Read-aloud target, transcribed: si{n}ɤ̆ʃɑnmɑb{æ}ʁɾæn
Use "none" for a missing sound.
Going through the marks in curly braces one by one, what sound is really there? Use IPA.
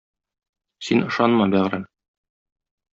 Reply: n, æ

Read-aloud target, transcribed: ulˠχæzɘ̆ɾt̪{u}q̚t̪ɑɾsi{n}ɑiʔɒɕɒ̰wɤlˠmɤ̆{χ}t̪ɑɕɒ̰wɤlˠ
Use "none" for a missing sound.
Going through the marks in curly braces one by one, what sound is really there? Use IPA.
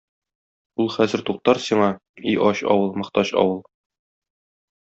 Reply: u, ɴ, χ

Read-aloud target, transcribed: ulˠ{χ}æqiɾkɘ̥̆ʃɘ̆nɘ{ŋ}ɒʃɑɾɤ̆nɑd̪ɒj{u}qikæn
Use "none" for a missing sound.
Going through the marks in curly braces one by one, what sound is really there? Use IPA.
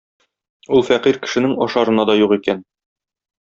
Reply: f, ŋ, u

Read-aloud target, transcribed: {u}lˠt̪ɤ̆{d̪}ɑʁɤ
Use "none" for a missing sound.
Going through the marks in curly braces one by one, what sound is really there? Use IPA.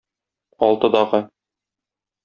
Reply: ɒ, d̪

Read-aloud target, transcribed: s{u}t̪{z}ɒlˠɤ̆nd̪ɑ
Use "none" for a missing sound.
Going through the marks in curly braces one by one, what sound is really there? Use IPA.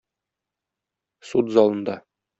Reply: u, z

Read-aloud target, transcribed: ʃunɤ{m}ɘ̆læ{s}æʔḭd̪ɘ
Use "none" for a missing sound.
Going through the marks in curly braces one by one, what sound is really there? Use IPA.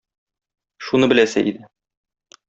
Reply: b, s

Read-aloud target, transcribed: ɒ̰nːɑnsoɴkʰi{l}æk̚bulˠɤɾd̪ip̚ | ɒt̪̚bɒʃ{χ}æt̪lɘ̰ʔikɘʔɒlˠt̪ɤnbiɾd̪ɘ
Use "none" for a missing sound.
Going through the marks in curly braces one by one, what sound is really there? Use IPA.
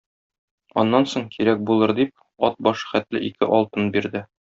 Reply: ɾ, χ

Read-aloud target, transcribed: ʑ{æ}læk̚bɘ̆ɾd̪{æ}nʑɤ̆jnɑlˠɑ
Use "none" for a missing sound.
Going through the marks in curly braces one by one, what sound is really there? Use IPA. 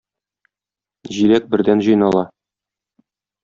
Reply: i, æ

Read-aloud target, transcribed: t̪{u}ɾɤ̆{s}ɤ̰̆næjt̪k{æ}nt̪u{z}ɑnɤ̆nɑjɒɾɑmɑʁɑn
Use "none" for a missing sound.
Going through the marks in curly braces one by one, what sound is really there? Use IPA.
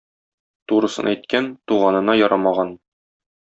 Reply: u, s, æ, ʁ

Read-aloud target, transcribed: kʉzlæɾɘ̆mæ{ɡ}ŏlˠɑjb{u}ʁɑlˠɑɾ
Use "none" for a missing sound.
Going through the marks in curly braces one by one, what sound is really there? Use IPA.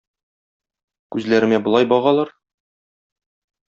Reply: b, ɒ

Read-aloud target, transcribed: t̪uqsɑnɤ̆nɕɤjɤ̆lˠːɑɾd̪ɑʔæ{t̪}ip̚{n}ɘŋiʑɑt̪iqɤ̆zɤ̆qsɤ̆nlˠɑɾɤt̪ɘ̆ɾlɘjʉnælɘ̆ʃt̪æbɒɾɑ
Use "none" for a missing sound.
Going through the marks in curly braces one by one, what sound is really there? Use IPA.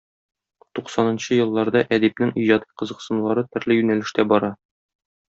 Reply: d̪, n

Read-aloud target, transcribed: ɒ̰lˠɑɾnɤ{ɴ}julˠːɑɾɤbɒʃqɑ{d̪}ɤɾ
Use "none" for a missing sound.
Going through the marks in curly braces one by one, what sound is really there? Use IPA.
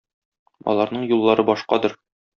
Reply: ɴ, d̪

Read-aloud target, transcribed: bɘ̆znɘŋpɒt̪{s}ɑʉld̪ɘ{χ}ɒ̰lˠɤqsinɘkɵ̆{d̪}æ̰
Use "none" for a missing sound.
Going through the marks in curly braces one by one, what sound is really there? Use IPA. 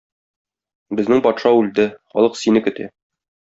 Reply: ʃ, χ, t̪

